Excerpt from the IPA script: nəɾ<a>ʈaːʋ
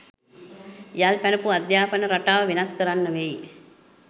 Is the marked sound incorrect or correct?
correct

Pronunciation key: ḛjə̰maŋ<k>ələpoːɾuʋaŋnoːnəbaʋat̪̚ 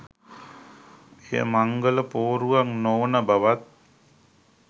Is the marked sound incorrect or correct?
incorrect: ɡ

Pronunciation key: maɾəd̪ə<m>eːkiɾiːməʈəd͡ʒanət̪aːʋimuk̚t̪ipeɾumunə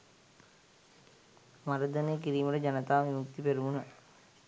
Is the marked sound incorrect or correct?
incorrect: n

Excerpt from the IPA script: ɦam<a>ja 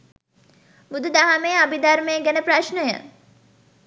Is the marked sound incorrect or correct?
incorrect: e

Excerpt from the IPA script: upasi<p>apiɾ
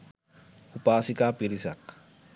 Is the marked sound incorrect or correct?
incorrect: k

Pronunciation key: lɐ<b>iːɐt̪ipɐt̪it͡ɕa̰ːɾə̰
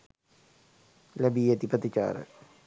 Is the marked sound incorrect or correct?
correct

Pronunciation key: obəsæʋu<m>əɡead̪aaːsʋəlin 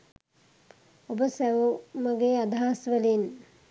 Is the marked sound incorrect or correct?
correct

